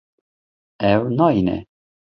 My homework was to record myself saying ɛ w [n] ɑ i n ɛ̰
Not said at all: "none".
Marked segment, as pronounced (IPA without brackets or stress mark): n